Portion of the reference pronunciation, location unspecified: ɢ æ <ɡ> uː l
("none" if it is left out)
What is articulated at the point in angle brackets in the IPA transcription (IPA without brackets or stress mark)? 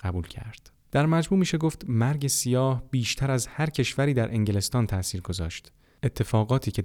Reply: b